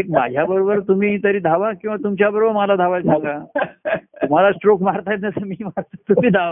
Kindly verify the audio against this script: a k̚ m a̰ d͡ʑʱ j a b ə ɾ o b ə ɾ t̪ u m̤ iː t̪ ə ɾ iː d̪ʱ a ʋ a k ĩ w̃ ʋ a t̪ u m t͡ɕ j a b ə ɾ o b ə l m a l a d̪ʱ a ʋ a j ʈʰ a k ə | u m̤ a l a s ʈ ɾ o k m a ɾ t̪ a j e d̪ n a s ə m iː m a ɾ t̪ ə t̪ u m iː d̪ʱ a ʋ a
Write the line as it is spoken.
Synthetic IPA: e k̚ m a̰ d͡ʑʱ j a b ə ɾ o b ə ɾ t̪ u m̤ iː t̪ ə ɾ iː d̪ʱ a ʋ a k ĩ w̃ ʋ a t̪ u m t͡ɕ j a b ə ɾ o b ə ɾ m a l a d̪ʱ a ʋ a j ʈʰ a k a | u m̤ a l a s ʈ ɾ o k m a ɾ t̪ a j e t̪ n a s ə m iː m a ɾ t̪ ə t̪ u m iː d̪ʱ a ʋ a